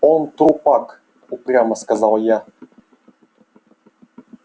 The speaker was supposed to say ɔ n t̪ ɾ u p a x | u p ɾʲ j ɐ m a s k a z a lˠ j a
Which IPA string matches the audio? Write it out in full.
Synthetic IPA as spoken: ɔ n t̪ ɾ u p a k | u p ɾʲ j a m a s k a z a lˠ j a